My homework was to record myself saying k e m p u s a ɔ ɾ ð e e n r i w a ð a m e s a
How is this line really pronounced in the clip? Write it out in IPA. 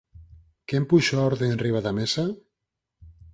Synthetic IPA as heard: k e m p u ʃ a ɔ ɾ ð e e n r i β a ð a m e s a